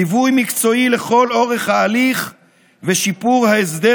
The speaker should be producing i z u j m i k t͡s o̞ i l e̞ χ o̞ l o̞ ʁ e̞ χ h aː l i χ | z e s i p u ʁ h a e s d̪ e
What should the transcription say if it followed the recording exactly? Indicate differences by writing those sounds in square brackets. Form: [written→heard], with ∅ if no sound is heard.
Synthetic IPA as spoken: i [z→v] u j m i k t͡s o̞ i l e̞ χ o̞ l o̞ ʁ e̞ χ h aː l i χ | [z→v] e [s→ʃ] i p u ʁ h a e s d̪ e

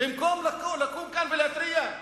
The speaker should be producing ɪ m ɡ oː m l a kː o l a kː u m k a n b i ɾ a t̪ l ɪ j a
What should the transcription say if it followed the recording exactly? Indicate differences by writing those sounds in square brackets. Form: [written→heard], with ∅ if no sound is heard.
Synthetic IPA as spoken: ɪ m [ɡ→k] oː m l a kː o l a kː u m k a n b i [ɾ→l] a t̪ [l→ɾ] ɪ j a

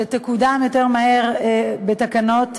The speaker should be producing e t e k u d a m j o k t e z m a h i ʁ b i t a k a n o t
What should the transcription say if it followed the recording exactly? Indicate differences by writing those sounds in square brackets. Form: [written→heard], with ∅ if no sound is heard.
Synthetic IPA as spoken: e t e k u d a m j o [k→∅] t e [z→ʁ] m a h [i→e] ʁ b [i→e] t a k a n o t

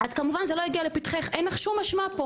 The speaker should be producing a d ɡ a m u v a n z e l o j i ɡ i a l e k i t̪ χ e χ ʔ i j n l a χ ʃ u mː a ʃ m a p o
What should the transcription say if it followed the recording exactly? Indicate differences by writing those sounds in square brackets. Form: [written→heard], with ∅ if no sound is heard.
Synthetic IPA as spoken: a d [ɡ→k] a m u v a n z e l o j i ɡ i a l e [k→p] i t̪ χ e χ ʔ [i→e] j n l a χ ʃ u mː a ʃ m a p o

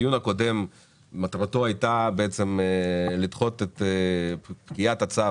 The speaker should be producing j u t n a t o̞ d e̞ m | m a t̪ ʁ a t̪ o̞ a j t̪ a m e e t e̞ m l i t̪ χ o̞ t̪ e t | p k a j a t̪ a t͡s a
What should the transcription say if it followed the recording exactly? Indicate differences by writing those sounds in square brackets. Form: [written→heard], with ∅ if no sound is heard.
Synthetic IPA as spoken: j u [t→∅] n a [t→k] o̞ d e̞ m | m a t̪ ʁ a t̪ o̞ a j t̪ a [m→b] e e [t→t͡s] e̞ m l i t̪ χ o̞ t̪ e t | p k [a→i] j a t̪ a t͡s a

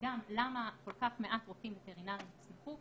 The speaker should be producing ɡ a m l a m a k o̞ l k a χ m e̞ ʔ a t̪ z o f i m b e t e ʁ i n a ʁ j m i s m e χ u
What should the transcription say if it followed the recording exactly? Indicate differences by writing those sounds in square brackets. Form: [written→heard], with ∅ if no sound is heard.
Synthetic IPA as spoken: ɡ a m l a m a k o̞ l k a χ m e̞ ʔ a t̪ [z→ʁ] o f i m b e t e ʁ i n a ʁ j m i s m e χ u

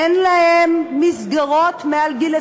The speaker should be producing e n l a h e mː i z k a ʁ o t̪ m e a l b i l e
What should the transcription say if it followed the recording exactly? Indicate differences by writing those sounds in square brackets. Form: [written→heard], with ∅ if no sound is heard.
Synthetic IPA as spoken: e n l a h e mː i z [k→ɡ] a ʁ o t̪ m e a l [b→ɡ] i l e

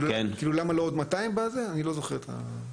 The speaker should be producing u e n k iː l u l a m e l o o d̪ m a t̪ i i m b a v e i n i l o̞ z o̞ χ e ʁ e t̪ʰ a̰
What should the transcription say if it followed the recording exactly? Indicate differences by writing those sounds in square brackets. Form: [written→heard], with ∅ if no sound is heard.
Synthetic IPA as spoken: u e n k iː l u l a m [e→a] l o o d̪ m a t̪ [i→a] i m b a [v→z] e [i→a] n i l o̞ z o̞ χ e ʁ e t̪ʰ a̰

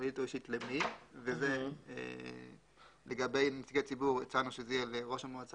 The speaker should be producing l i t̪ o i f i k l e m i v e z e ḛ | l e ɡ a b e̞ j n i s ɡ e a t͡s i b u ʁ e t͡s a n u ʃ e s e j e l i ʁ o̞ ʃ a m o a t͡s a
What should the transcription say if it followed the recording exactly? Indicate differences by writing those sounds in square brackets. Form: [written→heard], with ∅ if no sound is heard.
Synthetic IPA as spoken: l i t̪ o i [f→ʃ] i [k→t] l e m i v e z e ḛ | l e ɡ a b e̞ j n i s ɡ e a t͡s i b u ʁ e t͡s a n u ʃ e [s→z] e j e l [i→e] ʁ o̞ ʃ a m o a t͡s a

